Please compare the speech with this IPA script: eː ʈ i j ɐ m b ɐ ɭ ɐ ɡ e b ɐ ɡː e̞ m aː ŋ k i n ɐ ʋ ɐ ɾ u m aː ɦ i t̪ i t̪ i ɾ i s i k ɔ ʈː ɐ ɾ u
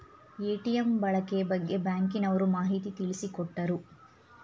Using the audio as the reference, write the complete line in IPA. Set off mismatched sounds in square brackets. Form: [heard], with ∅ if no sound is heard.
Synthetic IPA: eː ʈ i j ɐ m b ɐ ɭ ɐ [k] e b ɐ ɡː e̞ [b] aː ŋ k i n ɐ ʋ ɐ ɾ u m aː ɦ i t̪ i t̪ i [ɭ] i s i k ɔ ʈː ɐ ɾ u